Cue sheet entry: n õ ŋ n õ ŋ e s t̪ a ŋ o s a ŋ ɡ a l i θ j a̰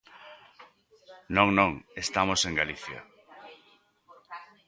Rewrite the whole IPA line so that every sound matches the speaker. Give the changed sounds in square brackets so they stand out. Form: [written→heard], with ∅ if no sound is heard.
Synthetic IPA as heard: n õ ŋ n õ ŋ e s t̪ a [ŋ→m] o s [a→e] ŋ ɡ a l i θ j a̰